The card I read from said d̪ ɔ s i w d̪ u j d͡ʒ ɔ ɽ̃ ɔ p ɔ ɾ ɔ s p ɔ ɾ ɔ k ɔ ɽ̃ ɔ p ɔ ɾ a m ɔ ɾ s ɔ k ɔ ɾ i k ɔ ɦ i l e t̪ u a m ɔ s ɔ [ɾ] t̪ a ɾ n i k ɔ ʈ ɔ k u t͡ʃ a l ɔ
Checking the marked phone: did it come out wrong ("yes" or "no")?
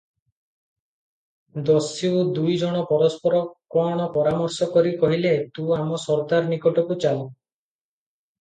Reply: no